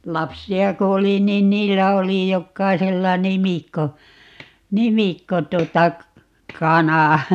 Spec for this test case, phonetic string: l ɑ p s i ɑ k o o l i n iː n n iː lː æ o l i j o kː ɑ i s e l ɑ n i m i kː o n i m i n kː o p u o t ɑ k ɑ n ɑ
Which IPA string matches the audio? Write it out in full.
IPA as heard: l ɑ p s i ɑ k o o l i n iː n n iː lː æ o l i j o kː ɑ i s e lː ɑ n i m i kː o n i m i kː o t u o t ɑ k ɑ n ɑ

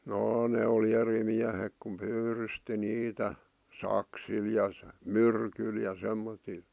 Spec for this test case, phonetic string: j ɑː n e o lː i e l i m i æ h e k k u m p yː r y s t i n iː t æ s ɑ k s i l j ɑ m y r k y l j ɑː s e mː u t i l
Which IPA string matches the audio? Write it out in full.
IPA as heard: j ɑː n e o l i e r i m i æ h e k k u m p yː r y s t i n iː t æ s ɑ k s i l j ɑ m y r k y l j ɑ s e mː o t i l

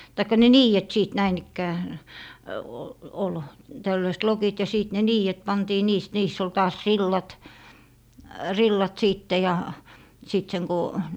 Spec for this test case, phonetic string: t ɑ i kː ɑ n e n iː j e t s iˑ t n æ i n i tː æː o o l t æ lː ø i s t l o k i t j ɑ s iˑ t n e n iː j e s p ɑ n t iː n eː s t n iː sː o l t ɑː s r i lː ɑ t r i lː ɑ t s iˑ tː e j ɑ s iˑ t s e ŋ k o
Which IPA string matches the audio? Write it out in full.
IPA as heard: t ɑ i kː ɑ n e n iː j e t s iˑ t n æ i n i kː æː o o l t æ lː ø i s t l o k i t j ɑ s iˑ t n e n iː j e t p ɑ n t iː n iː s t n iː sː o l t ɑː s r i lː ɑ t r i lː ɑ t s iˑ tː e j ɑ s iˑ t s e ŋ k o

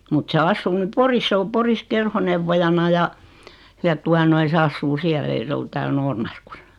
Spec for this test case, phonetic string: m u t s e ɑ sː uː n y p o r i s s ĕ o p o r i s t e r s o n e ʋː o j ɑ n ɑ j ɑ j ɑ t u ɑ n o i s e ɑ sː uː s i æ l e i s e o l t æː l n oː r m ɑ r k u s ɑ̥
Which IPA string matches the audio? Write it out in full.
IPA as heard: m u t s e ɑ sː uː n y p o r i s s ĕ o p o r i s k e r h o n e ʋː o j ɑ n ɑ j ɑ j ɑ t u ɑ n o i s e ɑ sː uː s i æ l e i s e o l t æː l n oː r m ɑ r k u s ɑ̥

